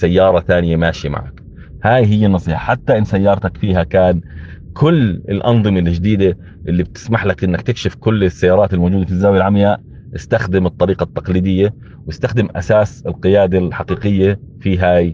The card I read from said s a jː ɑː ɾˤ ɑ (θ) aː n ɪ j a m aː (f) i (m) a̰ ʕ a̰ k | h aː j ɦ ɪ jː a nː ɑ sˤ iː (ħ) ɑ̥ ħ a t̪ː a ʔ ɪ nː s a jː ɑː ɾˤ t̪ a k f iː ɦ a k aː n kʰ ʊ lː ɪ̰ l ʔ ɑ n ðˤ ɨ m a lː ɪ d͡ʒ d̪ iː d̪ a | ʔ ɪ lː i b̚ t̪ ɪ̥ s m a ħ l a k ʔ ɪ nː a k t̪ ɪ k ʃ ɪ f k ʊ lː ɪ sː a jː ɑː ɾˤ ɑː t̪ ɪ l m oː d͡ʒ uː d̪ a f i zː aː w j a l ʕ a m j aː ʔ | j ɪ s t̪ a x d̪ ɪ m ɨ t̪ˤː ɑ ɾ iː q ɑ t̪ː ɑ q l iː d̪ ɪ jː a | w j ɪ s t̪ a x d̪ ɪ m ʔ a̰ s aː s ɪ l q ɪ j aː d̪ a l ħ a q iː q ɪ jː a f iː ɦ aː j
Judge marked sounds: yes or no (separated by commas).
yes, no, yes, yes